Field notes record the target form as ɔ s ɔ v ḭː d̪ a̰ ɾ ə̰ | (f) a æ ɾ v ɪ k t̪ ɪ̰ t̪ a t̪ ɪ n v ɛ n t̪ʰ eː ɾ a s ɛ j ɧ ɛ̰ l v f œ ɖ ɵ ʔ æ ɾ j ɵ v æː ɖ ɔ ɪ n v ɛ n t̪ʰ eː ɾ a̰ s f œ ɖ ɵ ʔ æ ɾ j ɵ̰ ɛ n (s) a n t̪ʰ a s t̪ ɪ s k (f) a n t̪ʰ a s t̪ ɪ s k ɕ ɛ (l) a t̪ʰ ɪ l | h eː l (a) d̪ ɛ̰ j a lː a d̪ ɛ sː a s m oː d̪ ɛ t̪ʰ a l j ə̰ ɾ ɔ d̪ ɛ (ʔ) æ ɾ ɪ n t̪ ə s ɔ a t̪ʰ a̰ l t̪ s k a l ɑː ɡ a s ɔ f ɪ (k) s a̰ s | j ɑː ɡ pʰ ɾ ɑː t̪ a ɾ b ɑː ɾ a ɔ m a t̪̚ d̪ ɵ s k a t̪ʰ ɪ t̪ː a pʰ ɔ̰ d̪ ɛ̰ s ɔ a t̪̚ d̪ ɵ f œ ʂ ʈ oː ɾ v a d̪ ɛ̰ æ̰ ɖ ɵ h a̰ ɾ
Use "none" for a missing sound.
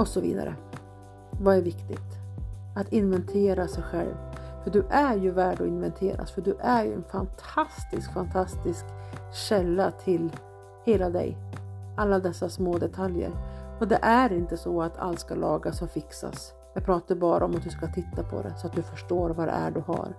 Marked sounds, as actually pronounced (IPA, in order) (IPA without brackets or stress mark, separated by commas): v, f, f, lː, a, ʔ, k